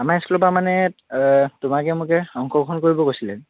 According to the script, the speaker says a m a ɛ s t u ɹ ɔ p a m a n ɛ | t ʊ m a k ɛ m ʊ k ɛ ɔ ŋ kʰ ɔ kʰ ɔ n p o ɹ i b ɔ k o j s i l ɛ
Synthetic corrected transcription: a m a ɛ s k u l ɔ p a m a n ɛ | t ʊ m a k ɛ m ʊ k ɛ ɔ ŋ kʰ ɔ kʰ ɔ n k o ɹ i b ɔ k o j s i l ɛ